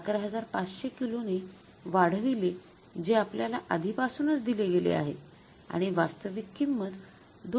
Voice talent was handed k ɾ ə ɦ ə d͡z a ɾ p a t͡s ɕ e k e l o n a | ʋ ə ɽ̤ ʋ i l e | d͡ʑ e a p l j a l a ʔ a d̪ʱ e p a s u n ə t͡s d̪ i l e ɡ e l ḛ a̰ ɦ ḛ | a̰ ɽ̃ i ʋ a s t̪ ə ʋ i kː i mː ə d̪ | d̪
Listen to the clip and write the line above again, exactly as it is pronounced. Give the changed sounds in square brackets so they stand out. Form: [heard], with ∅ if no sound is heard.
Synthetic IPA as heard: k ɾ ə ɦ ə d͡z a ɾ p a t͡s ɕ e k [i] l o n [e] | ʋ [a] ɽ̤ ʋ i l e | d͡ʑ e a p l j a l a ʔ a d̪ʱ [i] p a s u n ə t͡s d̪ i l e ɡ e l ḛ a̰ ɦ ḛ | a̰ ɽ̃ i ʋ a s t̪ ə ʋ i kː i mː ə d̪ | d̪

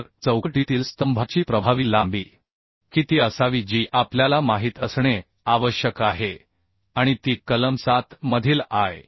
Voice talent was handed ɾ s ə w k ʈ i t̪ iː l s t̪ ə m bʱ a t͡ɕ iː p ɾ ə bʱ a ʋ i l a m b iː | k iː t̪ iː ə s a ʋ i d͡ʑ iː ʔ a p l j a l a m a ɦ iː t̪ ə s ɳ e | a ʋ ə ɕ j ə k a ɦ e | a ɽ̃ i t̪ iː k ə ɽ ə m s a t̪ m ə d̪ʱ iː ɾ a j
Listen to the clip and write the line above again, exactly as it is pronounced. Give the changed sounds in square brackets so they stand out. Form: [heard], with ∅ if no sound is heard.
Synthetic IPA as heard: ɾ [t͡s] ə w k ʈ i t̪ iː l s t̪ ə m bʱ a t͡ɕ iː p ɾ ə bʱ a ʋ i l a m b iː | k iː t̪ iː ə s a ʋ i d͡ʑ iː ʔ a p l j a l a m a ɦ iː t̪ ə s ɳ e | a ʋ ə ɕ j ə k a ɦ e | a ɽ̃ i t̪ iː k ə [l] ə m s a t̪ m ə d̪ʱ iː [l] a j

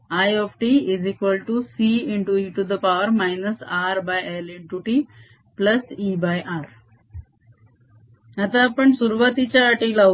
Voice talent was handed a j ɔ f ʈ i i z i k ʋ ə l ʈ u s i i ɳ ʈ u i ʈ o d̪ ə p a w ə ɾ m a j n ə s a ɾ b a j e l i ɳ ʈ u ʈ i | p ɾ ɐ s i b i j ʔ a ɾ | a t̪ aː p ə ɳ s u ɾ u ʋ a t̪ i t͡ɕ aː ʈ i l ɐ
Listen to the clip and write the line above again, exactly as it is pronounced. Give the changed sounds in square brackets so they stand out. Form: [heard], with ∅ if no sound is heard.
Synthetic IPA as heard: a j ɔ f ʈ i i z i k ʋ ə l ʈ u s i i ɳ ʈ u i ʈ [u] d̪ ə p a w ə ɾ m a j n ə s a ɾ b a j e l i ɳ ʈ u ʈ i | p [l] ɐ s i b [a] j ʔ a ɾ | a t̪ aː p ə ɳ s u ɾ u ʋ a t̪ i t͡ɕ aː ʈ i l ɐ

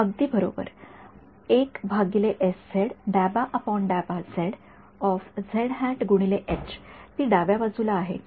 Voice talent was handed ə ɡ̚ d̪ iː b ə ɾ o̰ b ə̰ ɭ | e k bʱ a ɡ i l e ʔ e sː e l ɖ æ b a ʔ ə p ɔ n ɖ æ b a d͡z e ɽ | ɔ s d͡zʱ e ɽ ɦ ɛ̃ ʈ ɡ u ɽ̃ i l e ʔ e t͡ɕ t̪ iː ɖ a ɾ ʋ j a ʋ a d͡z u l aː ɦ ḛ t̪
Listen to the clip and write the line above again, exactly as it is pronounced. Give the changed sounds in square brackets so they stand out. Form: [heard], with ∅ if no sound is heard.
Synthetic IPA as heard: ə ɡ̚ d̪ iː b ə ɾ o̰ b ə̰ [ɾ] | e k bʱ a ɡ i l e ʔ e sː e [ɽ] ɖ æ b a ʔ ə p ɔ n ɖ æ b a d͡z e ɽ | ɔ [f] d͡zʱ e ɽ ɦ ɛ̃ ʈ ɡ u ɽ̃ i l e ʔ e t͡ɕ t̪ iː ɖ a [∅] ʋ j a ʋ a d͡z u l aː ɦ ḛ t̪

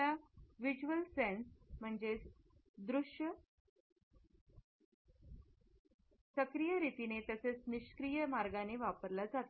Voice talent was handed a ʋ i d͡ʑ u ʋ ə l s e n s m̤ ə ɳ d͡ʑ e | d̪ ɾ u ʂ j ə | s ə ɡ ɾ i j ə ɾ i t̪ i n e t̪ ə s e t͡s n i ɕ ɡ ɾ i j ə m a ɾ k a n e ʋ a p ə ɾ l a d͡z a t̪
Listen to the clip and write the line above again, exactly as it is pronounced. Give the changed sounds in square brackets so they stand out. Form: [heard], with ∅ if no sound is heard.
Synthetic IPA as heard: a ʋ i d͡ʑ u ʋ ə l s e n s m̤ ə ɳ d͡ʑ e | d̪ ɾ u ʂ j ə | s ə [k] ɾ i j ə ɾ i t̪ i n e t̪ ə s e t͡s n i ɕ [k] ɾ i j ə m a ɾ [ɡ] a n e ʋ a p ə ɾ l a d͡z a t̪

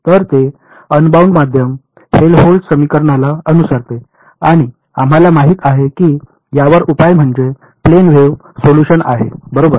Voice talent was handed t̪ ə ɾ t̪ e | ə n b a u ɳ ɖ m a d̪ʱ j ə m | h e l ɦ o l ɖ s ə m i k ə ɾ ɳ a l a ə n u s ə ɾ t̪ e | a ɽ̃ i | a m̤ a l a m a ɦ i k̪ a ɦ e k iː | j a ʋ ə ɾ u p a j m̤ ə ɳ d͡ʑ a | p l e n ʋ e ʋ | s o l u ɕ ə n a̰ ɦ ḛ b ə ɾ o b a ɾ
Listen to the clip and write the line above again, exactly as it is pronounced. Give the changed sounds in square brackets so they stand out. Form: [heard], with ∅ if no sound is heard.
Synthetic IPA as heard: t̪ ə ɾ t̪ e | ə n b a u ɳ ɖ m a d̪ʱ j ə m | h e l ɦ o l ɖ s ə m i k ə ɾ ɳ a l a ə n u s ə ɾ t̪ e | a ɽ̃ i | a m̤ a l a m a ɦ i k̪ a ɦ e k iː | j a ʋ ə ɾ u p a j m̤ ə ɳ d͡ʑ [e] | p l e n ʋ e ʋ | s o l u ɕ ə n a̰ ɦ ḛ b ə ɾ o b [ə] ɾ

